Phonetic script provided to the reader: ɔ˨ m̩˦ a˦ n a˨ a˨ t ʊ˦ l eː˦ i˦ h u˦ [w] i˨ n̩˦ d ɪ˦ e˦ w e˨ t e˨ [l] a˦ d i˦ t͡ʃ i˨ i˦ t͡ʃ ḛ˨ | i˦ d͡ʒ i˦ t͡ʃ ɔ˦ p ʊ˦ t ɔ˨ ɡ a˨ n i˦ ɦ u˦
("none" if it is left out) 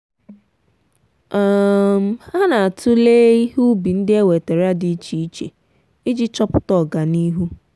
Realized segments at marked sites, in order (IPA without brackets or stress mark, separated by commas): b, ɾ